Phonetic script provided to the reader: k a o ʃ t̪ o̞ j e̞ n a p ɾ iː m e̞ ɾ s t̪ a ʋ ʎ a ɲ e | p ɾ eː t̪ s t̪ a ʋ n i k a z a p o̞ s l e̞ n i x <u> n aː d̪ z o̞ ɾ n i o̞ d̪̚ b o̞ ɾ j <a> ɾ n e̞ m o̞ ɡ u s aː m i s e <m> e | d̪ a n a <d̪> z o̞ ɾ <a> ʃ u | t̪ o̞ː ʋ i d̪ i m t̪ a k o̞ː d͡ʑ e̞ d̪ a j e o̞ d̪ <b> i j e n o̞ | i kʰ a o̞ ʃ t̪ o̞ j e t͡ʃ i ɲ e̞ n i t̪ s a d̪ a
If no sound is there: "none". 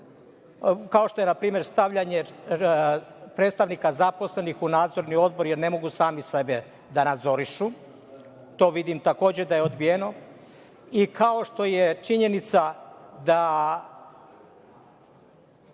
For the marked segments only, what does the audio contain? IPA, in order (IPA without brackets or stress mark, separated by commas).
u, e, b, d̪, i, b